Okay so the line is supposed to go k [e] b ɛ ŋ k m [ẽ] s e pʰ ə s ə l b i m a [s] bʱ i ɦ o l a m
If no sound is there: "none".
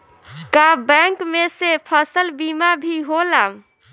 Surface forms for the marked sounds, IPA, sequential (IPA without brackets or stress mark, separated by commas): a, e, none